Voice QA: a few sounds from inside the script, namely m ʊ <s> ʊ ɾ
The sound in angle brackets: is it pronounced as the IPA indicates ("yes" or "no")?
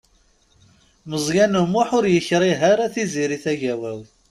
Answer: no